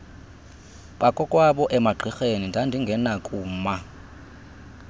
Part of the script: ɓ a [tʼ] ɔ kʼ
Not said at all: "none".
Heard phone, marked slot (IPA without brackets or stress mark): kʼ